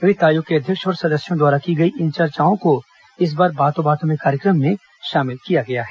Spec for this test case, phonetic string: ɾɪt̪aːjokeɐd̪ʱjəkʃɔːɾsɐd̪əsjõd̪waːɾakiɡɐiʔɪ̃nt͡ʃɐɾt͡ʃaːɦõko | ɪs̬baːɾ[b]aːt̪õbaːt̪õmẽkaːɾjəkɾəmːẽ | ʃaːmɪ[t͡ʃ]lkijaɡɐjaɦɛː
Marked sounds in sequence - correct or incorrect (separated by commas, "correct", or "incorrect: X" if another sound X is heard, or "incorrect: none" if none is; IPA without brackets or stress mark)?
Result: correct, incorrect: none